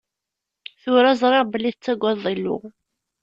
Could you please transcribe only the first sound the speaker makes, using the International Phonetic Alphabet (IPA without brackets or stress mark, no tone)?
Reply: θ